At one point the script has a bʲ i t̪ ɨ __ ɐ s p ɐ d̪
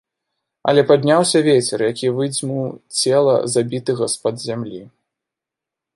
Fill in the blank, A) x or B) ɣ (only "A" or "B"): B